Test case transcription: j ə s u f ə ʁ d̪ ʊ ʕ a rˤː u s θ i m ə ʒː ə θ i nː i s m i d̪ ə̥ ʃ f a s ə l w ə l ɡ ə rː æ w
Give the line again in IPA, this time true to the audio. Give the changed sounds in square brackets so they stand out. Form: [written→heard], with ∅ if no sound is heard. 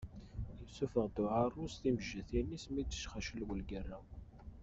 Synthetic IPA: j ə s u f ə ʁ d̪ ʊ ʕ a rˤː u s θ i m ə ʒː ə θ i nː i s m i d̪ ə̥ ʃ [f→χ] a [s→ʃ] ə l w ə l ɡ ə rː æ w